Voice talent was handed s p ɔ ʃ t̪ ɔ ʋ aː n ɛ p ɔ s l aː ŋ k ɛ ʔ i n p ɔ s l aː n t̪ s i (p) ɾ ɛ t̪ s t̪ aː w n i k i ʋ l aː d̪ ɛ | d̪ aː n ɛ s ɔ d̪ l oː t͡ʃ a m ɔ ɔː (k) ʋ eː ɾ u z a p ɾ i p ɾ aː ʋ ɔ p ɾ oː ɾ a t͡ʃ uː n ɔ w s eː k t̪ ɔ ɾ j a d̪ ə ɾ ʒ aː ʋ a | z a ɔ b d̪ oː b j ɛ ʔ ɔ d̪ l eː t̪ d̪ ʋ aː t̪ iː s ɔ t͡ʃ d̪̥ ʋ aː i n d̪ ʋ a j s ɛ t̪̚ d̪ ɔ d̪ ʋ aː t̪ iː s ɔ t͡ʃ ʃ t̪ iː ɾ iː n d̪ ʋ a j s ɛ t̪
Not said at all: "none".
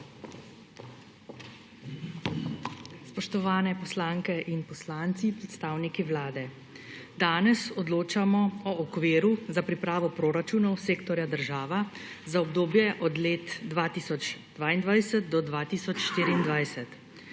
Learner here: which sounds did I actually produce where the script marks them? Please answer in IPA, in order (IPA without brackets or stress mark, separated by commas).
p, k